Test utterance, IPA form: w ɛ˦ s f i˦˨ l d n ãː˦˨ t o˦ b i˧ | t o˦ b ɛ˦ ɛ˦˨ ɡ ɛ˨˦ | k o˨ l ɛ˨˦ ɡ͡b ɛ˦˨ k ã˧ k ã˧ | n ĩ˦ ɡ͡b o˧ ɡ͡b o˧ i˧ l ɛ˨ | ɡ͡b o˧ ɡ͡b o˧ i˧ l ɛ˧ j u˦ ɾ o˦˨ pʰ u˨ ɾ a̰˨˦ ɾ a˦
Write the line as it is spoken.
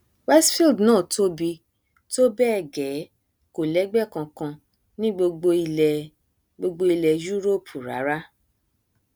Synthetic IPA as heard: w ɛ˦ s f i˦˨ l d n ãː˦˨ t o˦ b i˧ | t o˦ b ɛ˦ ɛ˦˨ ɡ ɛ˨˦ | k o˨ l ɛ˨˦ ɡ͡b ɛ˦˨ k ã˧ k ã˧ | n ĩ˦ ɡ͡b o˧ ɡ͡b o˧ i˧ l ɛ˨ | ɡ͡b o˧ ɡ͡b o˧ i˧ l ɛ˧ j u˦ ɾ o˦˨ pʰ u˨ ɾ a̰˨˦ ɾ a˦